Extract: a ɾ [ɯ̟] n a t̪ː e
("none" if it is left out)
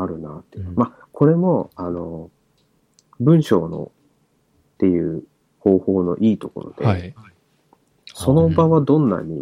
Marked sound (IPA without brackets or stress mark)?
ɯ̟